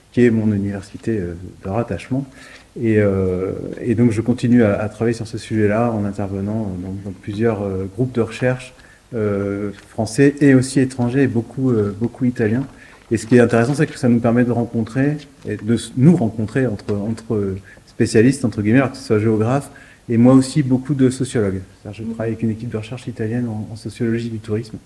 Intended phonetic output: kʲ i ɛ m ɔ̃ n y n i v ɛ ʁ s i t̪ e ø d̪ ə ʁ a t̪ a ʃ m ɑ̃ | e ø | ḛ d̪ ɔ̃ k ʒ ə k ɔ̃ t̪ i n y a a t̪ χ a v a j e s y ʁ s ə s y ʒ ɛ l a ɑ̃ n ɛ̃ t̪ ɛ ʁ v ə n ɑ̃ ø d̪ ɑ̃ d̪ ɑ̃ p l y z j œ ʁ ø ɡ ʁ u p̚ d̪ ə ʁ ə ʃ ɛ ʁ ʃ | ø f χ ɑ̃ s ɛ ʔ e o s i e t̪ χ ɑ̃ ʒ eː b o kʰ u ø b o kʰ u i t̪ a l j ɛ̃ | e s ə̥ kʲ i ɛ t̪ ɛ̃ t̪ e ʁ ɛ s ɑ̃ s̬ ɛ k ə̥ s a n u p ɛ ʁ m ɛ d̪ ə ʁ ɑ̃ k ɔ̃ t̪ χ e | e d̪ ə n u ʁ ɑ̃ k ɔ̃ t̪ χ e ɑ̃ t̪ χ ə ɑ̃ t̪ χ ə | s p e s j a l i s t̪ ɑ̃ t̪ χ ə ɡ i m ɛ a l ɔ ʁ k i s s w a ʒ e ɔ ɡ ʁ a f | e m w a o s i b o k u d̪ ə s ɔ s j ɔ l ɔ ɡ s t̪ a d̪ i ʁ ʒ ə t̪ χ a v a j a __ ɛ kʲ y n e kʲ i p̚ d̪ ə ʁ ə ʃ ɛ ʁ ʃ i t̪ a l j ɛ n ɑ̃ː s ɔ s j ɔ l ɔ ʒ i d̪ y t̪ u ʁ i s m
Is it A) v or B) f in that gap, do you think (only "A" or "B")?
A